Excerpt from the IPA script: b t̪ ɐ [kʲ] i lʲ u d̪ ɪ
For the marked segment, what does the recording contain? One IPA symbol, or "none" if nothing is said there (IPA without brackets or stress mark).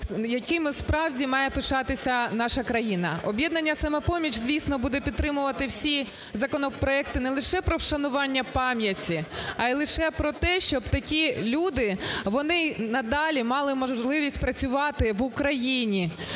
kʲ